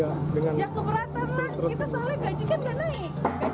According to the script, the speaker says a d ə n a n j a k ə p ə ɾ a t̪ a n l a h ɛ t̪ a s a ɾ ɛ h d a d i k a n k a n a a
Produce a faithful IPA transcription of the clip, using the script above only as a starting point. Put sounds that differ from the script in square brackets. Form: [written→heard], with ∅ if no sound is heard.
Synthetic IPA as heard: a d ə [n→ŋ] a n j a k ə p ə ɾ a t̪ a n l a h [ɛ→i] t̪ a s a [ɾ→l] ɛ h [d→ɡ] a [d→d͡ʒ] i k a n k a n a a